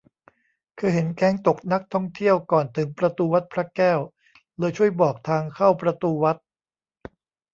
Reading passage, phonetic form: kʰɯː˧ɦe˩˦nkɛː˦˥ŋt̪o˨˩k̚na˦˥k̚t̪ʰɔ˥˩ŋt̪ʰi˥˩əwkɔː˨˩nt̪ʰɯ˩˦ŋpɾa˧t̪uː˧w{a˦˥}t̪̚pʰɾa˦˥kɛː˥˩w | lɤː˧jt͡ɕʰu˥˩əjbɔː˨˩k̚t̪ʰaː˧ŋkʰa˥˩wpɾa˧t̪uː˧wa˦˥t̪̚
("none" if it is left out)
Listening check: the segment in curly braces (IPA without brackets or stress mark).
a˦˥